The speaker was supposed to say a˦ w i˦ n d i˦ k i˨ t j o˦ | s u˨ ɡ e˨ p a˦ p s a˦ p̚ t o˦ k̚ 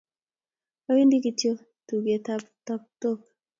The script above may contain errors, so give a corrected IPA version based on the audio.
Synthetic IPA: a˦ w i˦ n d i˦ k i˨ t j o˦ | t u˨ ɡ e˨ t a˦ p t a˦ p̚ t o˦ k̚